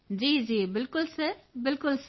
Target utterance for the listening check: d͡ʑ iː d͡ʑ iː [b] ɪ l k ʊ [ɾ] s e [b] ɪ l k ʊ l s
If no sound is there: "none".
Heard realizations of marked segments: b, l, b

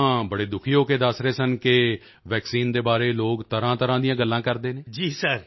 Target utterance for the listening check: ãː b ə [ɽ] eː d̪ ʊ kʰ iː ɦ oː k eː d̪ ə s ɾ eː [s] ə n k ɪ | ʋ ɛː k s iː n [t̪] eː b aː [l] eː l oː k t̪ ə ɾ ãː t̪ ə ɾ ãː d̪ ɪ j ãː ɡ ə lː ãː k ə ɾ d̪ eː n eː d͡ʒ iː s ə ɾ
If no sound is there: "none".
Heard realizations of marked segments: ɽ, s, d̪, ɾ

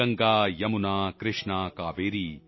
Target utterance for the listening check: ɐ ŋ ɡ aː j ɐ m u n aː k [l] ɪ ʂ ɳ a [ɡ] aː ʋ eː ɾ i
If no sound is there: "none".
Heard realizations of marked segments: ɾ, k

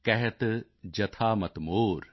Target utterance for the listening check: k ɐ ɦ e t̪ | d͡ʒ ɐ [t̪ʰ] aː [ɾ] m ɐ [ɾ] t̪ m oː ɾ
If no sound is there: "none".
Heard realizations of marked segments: t̪ʰ, none, none

